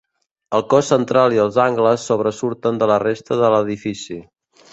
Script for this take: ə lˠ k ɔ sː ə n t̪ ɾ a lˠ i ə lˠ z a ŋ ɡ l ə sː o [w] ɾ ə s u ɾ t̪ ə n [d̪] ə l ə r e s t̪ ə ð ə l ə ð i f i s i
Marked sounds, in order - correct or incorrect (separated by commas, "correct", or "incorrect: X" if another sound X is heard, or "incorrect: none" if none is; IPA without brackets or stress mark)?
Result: incorrect: β, correct